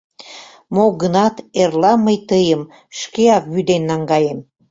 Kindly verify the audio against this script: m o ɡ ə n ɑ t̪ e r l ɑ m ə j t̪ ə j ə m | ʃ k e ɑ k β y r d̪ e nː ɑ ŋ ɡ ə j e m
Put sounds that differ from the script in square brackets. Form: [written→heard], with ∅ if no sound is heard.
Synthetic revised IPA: m o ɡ ə n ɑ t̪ e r l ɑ m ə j t̪ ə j ə m | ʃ k e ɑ k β y [r→∅] d̪ e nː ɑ ŋ ɡ [ə→ɑ] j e m